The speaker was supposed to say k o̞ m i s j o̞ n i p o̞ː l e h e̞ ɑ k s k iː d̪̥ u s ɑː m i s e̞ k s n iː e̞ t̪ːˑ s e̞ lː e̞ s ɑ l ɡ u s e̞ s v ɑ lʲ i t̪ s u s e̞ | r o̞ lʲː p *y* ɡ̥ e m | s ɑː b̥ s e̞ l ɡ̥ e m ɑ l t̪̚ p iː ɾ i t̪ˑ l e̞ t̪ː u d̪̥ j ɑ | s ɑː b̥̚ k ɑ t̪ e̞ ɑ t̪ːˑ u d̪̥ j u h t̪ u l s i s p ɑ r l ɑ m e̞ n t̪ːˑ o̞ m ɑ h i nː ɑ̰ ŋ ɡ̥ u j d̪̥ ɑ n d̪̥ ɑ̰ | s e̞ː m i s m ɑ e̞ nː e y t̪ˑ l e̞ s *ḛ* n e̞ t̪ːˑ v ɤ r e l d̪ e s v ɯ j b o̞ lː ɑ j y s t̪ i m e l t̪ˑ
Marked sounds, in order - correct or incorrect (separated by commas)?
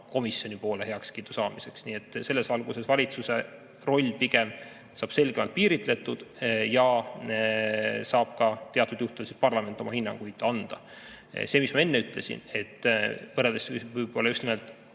incorrect, incorrect